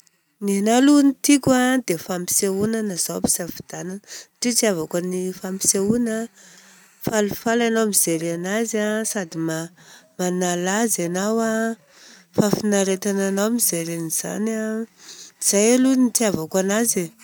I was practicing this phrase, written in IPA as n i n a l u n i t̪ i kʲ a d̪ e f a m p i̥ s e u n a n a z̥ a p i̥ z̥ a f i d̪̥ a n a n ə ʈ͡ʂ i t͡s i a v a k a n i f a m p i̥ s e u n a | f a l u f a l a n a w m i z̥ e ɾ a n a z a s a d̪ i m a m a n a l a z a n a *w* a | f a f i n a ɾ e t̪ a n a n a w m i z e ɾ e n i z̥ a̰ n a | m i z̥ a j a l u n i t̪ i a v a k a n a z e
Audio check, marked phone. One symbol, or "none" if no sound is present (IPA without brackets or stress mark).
w